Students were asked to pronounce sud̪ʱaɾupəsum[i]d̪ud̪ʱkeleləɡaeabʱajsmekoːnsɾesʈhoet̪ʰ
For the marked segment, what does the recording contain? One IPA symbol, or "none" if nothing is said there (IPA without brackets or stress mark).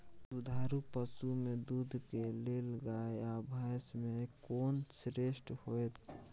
e